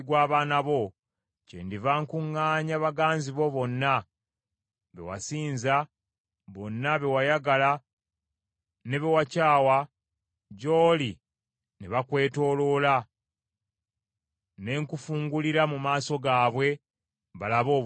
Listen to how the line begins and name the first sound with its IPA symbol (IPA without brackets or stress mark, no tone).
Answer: ɡ